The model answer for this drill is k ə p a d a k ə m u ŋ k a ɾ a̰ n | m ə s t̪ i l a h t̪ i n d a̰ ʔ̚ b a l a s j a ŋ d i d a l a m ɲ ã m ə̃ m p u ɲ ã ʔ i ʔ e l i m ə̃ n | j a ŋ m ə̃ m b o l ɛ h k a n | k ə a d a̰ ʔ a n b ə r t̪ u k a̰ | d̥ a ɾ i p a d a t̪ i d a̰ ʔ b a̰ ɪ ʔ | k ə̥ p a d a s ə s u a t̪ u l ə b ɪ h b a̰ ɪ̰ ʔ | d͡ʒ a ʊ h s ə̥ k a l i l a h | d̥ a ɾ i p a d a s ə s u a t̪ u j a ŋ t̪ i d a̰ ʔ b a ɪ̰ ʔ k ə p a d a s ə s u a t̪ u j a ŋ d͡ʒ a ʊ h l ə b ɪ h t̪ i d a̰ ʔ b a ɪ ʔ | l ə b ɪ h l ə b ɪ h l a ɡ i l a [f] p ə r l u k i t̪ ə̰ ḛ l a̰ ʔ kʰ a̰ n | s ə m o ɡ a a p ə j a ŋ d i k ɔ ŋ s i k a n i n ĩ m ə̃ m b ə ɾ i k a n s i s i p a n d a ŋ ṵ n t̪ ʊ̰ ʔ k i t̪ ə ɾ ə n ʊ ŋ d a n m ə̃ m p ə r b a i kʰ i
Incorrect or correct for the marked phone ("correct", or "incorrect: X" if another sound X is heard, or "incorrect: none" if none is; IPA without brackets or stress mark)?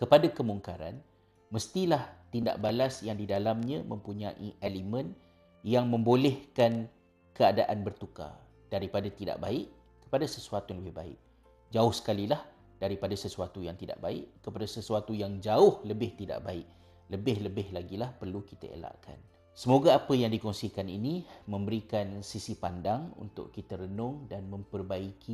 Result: incorrect: h